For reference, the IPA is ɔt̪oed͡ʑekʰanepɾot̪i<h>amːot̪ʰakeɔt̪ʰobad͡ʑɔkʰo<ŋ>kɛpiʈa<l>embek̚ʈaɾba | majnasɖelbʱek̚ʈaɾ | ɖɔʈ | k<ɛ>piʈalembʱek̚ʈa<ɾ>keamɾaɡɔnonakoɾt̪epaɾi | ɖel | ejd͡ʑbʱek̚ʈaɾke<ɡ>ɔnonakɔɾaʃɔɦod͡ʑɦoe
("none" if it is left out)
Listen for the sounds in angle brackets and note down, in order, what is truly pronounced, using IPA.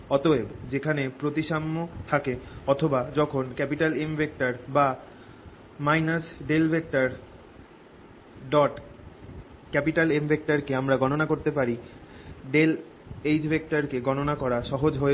ʃ, n, l, ɛ, ɾ, ɡ

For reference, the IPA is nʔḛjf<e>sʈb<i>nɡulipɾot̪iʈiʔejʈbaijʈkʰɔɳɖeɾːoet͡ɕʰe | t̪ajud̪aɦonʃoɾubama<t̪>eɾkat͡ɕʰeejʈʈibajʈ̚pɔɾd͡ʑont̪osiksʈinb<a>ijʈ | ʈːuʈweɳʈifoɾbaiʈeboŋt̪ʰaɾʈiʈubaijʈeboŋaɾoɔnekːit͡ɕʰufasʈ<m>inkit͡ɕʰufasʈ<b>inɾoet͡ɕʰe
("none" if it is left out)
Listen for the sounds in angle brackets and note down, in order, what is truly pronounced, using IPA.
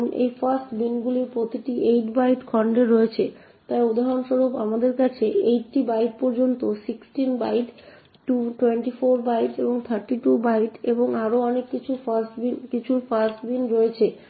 a, i, d̪, a, b, b

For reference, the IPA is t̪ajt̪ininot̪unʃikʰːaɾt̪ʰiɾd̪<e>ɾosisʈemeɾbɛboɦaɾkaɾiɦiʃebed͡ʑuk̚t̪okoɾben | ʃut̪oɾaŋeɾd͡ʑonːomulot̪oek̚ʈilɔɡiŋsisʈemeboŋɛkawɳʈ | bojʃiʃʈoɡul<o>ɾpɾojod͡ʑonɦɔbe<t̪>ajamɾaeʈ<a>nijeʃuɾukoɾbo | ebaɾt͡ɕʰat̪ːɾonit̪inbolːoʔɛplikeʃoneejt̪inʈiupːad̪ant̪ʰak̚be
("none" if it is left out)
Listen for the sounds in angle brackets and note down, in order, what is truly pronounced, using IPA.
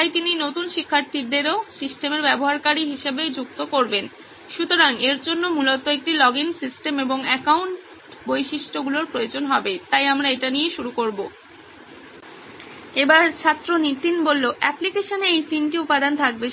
e, o, t̪, a

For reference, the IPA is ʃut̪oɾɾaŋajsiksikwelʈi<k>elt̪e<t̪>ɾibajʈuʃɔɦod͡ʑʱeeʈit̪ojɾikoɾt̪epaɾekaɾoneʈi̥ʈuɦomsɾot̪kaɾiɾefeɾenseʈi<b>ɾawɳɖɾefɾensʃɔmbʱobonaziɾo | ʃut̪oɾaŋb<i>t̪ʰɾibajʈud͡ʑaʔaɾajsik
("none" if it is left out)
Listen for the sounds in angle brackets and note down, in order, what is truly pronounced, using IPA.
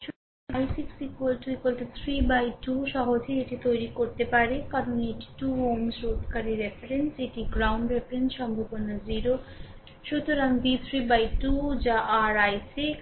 k, t̪ʰ, ɡ, i

